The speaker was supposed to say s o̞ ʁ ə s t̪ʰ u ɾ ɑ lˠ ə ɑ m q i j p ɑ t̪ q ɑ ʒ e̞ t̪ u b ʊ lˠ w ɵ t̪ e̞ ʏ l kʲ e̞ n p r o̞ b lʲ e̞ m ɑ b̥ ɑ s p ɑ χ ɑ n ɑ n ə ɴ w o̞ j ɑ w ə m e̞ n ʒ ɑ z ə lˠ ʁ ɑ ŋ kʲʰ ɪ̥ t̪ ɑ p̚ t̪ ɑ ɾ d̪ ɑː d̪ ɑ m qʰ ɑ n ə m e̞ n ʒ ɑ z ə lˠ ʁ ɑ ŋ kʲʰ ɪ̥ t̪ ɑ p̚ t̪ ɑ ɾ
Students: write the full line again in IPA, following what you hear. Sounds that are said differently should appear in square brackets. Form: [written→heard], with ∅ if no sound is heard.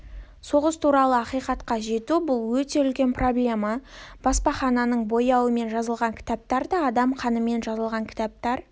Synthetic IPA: s o̞ ʁ ə s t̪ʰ u ɾ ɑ lˠ ə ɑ [m→∅] q i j [p→q] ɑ t̪ q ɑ ʒ e̞ t̪ u b ʊ lˠ w ɵ t̪ e̞ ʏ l kʲ e̞ n p r o̞ b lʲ e̞ m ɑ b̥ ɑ s p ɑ χ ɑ n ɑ n ə ɴ [w→b] o̞ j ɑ w ə m e̞ n ʒ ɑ z ə lˠ ʁ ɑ ŋ kʲʰ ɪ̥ t̪ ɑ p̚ t̪ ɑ ɾ d̪ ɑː d̪ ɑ m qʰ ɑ n ə m e̞ n ʒ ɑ z ə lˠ ʁ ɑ ŋ kʲʰ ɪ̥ t̪ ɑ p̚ t̪ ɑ ɾ